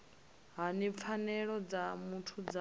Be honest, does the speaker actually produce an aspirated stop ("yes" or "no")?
yes